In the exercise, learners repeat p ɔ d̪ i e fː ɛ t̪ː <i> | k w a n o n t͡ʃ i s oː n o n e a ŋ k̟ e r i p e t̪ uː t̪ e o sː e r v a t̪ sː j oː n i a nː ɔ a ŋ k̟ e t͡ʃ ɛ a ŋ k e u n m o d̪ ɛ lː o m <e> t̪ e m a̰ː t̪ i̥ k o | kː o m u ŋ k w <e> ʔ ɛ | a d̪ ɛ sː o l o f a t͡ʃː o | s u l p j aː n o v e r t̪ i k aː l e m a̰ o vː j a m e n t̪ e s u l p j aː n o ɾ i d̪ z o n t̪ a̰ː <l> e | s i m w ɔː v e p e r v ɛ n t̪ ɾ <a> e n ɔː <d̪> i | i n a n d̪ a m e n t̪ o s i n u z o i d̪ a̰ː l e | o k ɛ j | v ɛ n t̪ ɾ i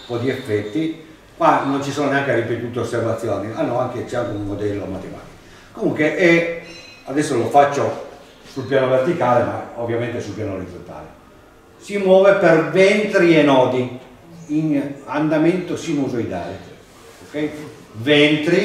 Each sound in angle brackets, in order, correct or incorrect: correct, incorrect: a, correct, correct, incorrect: i, correct

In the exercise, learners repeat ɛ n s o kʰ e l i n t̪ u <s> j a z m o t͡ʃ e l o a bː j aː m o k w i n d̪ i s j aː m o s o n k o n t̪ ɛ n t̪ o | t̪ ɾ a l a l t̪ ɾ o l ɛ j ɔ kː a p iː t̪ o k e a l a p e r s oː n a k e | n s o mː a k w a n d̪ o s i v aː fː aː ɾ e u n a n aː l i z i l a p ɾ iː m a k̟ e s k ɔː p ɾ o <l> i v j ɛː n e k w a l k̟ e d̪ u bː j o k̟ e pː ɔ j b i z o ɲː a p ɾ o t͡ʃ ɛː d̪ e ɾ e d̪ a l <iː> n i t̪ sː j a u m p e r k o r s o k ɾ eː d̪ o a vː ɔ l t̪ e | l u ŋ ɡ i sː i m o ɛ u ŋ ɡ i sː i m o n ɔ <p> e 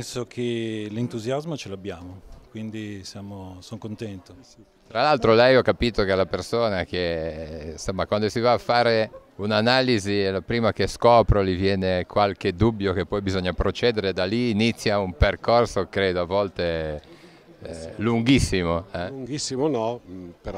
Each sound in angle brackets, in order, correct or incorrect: incorrect: z, correct, correct, correct

